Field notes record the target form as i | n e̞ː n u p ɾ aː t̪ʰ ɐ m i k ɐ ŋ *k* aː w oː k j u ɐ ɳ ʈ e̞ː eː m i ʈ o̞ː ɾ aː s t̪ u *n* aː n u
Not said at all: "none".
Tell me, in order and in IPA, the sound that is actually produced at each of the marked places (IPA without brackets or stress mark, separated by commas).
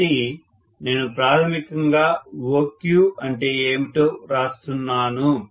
ɡ, nː